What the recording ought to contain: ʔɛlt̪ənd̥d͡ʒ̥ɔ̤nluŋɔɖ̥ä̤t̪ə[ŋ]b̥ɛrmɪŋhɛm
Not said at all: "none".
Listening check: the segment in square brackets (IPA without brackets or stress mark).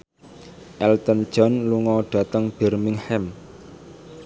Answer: ŋ